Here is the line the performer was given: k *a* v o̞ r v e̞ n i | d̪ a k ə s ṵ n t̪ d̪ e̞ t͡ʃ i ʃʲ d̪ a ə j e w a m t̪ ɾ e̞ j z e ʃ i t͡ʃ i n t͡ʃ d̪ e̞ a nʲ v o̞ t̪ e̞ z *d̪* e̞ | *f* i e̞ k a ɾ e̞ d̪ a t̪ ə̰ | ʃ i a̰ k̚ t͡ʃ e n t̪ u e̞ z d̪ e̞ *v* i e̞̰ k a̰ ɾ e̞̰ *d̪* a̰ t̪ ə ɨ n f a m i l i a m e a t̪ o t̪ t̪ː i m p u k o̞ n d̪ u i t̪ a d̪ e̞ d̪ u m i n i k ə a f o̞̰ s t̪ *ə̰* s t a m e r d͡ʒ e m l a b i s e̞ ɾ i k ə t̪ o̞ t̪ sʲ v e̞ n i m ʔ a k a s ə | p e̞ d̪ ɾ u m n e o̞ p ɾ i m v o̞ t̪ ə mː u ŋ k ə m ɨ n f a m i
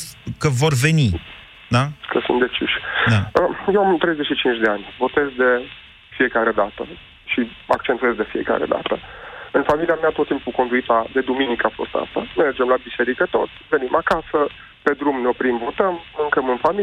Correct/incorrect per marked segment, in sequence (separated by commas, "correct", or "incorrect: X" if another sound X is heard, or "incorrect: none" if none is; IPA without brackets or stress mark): incorrect: ə, correct, correct, incorrect: f, correct, incorrect: a̰